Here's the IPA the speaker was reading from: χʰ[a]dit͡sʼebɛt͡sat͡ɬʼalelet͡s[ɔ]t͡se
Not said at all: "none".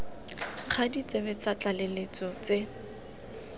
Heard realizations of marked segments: a, ɔ

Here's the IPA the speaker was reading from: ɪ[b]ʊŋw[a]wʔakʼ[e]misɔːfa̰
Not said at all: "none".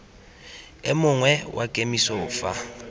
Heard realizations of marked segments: m, ɛ, e

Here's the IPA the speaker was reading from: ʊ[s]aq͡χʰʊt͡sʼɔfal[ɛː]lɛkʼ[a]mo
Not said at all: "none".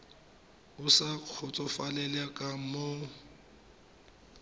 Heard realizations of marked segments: s, ɛ, a

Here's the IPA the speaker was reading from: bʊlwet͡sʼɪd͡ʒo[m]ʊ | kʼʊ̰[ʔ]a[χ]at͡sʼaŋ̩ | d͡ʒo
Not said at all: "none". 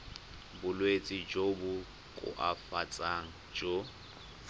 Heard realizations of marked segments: b, ʔ, f

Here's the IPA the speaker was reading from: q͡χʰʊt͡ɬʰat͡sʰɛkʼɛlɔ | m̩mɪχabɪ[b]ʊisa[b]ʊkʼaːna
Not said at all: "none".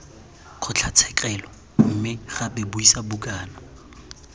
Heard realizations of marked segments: b, b

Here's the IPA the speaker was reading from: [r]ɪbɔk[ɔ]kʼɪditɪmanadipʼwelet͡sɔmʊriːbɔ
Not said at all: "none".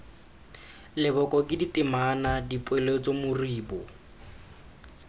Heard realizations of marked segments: l, ɔ

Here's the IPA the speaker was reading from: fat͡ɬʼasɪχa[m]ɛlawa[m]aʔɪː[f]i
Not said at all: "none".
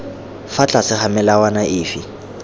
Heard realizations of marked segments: m, n, f

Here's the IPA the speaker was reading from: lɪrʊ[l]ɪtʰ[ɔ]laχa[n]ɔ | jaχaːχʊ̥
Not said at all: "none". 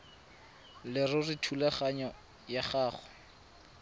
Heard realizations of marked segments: r, u, ɲ

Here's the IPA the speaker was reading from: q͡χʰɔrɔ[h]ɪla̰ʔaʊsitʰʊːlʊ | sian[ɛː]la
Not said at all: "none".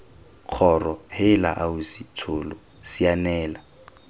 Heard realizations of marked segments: h, ɛː

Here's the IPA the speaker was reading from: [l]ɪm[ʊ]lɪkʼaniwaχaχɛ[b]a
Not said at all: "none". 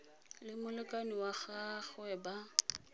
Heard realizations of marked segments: l, ʊ, b

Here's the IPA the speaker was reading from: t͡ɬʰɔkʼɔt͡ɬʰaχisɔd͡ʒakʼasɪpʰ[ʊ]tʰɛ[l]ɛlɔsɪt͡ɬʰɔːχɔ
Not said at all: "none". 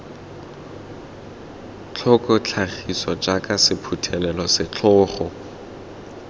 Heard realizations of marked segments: u, l

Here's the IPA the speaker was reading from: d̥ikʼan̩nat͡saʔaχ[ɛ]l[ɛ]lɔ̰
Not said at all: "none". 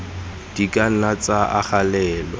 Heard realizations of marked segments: a, ɛː

